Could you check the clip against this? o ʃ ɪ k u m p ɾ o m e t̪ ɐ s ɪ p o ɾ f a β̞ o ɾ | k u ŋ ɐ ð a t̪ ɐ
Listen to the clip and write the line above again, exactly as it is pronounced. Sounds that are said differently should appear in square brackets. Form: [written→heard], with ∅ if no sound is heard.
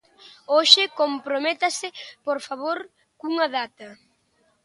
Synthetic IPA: o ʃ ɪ k [u→o] m p ɾ o m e t̪ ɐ s ɪ p o ɾ f a β̞ o ɾ | k u ŋ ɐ ð a t̪ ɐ